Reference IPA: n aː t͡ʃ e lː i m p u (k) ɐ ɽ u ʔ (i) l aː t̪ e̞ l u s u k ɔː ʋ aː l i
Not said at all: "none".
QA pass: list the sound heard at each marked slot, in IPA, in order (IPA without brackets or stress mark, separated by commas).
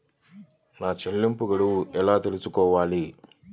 ɡ, ɛ